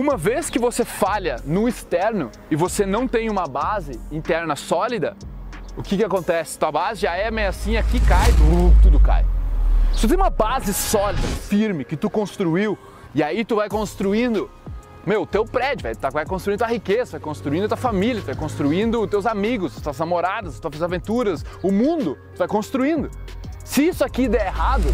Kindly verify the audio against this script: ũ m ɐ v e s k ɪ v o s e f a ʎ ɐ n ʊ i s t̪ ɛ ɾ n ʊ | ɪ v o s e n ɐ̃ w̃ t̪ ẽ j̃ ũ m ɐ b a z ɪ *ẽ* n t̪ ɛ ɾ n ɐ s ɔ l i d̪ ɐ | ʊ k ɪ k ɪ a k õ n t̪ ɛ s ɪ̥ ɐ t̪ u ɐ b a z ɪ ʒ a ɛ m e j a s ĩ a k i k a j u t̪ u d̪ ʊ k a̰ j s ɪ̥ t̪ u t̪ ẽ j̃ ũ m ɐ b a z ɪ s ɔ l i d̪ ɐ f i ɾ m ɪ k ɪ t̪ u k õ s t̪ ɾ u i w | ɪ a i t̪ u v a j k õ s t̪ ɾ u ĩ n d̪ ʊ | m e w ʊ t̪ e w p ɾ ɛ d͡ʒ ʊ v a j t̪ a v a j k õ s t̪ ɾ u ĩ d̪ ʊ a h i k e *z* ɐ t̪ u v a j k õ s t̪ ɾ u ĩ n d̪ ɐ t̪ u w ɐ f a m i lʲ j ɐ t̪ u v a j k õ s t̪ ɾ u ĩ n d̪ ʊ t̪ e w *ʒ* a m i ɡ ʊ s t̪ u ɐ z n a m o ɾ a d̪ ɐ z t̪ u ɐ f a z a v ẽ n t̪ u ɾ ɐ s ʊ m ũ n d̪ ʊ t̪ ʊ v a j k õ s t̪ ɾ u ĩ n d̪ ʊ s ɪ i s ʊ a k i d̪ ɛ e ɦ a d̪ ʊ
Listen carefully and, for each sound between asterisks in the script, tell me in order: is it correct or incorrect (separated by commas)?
incorrect, correct, incorrect